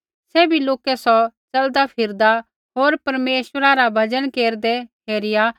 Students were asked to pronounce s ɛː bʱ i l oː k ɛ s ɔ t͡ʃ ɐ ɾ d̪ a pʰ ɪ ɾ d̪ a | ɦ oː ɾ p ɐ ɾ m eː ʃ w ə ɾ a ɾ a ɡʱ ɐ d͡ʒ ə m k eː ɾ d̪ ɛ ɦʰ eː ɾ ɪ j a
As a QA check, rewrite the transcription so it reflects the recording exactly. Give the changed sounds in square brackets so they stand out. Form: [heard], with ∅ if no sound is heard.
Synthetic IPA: s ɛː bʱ i l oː k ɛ s ɔ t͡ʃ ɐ [l] d̪ a pʰ ɪ ɾ d̪ a | ɦ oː ɾ p ɐ ɾ m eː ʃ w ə ɾ a ɾ a [bʱ] ɐ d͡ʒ ə [n] k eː ɾ d̪ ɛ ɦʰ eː ɾ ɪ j a